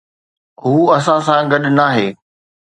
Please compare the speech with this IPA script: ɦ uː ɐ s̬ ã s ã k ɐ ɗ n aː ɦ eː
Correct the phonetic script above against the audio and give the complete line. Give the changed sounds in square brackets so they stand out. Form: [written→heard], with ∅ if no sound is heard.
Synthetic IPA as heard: ɦ uː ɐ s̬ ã s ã [k→ɡ] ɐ ɗ n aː ɦ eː